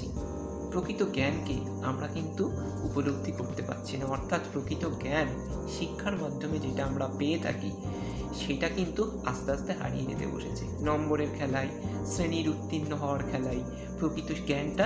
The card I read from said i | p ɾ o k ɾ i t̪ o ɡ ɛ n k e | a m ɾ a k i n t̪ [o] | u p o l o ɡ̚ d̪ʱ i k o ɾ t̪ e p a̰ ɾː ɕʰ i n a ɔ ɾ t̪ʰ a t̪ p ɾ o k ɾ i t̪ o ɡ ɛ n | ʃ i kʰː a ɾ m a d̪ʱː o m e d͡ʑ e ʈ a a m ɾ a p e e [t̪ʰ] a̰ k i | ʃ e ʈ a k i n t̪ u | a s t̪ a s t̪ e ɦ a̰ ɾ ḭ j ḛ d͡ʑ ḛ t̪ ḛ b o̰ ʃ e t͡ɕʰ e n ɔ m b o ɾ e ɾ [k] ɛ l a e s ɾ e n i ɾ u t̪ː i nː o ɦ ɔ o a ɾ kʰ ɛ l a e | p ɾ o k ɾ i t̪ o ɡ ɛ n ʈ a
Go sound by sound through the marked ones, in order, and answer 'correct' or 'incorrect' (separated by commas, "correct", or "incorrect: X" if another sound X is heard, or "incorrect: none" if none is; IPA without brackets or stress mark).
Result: incorrect: u, correct, incorrect: kʰ